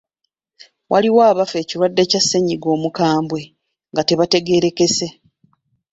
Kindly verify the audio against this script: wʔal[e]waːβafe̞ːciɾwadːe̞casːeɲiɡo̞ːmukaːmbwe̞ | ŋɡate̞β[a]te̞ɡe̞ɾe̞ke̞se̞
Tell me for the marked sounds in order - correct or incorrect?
incorrect, correct

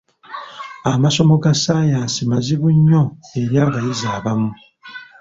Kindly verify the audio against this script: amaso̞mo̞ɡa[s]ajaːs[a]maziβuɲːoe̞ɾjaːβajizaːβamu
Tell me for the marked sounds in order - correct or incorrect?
correct, incorrect

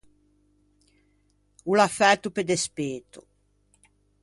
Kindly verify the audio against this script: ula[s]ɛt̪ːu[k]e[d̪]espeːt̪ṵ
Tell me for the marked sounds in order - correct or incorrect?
incorrect, incorrect, correct

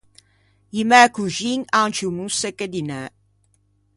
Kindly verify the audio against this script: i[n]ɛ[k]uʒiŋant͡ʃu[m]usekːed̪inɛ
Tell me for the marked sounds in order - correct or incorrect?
incorrect, correct, correct

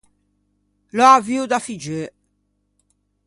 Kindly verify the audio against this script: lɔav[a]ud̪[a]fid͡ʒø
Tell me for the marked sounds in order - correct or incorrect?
incorrect, correct

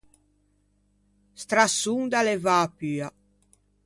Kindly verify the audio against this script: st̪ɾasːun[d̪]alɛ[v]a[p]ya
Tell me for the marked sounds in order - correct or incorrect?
correct, correct, correct

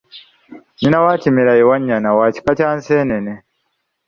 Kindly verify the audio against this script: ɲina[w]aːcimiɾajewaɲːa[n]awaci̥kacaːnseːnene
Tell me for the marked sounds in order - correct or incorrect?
correct, correct

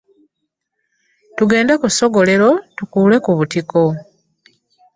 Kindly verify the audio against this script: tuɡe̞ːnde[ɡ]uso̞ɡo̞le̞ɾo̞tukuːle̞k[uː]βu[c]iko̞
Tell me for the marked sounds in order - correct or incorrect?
incorrect, incorrect, incorrect

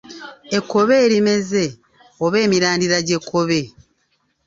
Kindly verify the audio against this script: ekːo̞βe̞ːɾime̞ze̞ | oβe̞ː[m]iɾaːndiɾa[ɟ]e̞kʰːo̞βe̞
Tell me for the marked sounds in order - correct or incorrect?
correct, correct

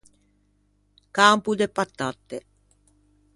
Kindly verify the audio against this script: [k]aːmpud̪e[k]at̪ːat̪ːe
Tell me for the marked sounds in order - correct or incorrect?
correct, incorrect

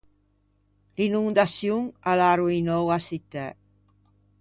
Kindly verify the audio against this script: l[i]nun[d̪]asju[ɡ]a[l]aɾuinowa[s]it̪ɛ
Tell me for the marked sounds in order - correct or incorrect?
correct, correct, incorrect, correct, correct

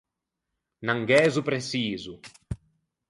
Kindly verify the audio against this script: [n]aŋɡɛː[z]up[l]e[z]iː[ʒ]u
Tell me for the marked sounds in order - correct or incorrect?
correct, correct, incorrect, incorrect, incorrect

